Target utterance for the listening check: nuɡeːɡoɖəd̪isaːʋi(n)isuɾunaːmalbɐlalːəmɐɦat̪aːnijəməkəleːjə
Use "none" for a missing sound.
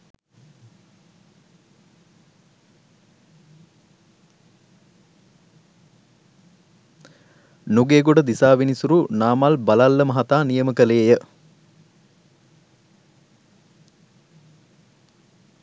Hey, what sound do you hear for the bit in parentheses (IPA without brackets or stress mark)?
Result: n